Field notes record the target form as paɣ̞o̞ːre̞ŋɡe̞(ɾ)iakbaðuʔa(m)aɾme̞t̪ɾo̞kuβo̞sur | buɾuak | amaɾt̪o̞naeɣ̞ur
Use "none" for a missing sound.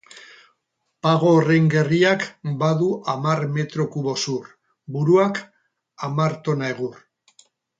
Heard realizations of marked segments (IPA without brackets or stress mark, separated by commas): r, m